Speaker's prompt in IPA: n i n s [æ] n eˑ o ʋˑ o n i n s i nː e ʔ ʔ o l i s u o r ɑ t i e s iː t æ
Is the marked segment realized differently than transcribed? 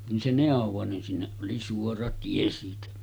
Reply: yes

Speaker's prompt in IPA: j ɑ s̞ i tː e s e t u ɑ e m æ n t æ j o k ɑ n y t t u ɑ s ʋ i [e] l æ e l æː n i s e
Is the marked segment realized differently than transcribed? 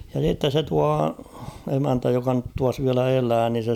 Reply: yes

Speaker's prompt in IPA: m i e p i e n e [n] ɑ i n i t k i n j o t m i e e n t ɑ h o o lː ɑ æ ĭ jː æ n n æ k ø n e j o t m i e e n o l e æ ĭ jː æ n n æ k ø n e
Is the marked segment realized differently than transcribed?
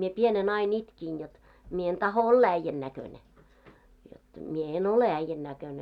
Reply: no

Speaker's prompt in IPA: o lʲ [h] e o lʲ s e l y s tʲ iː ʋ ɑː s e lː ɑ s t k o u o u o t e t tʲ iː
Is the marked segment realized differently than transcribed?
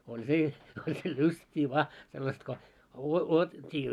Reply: yes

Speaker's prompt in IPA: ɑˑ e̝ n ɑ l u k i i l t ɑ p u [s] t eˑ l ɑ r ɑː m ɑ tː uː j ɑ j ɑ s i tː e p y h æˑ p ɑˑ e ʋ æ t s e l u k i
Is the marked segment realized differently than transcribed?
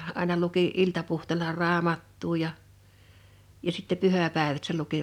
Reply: yes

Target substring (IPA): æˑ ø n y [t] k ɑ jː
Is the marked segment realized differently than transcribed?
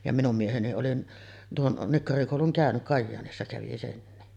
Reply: yes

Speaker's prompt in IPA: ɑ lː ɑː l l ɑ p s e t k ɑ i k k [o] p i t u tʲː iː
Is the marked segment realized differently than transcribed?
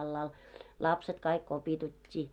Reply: no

